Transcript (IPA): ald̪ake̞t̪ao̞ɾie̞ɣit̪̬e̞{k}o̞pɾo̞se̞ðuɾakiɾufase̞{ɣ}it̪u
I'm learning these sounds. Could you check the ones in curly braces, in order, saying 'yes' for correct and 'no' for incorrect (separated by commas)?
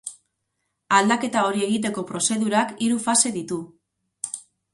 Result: yes, no